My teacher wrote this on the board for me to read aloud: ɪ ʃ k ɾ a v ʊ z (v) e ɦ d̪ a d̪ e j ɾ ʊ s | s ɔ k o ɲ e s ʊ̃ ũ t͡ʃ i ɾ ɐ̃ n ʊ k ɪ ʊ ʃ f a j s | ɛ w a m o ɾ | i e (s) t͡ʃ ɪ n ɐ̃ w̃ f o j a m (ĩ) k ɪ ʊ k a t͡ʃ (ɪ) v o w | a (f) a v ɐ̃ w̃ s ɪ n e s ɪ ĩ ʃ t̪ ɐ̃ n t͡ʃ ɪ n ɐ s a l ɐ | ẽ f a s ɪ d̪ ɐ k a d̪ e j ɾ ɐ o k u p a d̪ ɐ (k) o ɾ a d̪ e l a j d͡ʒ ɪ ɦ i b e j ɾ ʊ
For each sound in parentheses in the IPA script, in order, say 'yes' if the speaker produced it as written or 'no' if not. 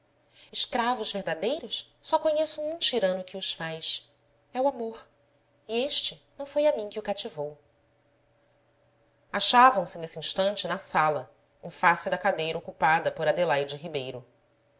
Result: yes, no, yes, no, no, no

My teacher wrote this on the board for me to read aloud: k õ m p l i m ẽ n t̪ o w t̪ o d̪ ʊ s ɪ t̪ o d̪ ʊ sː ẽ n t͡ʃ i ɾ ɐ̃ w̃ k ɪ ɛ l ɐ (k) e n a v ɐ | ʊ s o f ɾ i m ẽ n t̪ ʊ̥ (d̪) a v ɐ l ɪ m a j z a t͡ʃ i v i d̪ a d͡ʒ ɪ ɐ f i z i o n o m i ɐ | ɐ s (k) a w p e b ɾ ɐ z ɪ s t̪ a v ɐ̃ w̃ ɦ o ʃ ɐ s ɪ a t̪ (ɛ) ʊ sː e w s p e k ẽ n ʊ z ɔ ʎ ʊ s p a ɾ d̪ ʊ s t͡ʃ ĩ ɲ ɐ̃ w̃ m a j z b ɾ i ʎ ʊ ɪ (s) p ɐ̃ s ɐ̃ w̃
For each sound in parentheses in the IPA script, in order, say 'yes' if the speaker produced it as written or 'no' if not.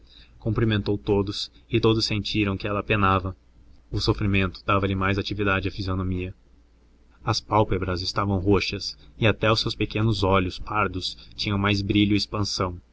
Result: no, yes, no, yes, yes

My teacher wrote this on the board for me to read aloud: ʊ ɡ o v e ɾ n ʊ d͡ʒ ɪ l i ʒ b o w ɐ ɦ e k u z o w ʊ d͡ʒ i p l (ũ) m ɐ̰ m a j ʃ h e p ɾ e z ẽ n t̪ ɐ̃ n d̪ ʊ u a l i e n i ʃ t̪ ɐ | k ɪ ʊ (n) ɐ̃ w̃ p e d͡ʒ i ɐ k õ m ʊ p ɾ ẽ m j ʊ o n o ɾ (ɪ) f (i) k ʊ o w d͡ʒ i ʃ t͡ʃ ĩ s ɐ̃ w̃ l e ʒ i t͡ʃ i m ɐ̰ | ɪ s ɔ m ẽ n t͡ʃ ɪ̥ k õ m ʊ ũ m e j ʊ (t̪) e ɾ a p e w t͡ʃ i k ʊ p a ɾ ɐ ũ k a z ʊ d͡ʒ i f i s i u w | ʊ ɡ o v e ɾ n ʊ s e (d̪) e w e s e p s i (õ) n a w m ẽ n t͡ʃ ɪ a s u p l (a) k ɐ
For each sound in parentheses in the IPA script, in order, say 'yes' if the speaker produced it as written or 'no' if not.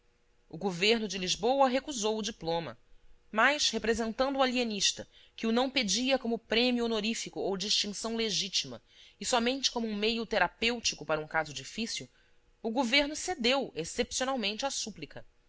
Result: no, yes, no, yes, yes, yes, no, no

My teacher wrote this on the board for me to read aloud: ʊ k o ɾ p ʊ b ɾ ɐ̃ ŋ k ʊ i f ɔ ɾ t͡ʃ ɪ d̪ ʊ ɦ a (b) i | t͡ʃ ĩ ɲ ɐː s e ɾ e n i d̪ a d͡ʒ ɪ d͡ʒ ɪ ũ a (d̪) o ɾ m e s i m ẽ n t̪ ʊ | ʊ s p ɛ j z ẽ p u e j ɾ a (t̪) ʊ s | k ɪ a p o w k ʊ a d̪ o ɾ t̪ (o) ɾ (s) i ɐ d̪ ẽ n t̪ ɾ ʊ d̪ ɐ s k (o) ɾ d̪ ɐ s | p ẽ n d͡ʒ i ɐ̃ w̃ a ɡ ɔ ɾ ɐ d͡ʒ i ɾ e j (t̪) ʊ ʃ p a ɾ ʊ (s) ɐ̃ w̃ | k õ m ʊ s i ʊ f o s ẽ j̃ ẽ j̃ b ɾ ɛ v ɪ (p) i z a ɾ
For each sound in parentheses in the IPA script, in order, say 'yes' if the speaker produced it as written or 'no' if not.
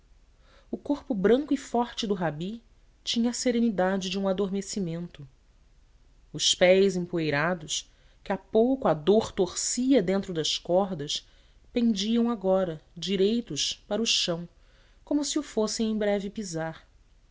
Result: yes, yes, no, yes, yes, no, yes, no, yes

